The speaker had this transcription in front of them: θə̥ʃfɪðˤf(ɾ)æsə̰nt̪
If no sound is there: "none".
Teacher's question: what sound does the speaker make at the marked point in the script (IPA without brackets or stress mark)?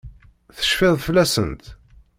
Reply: l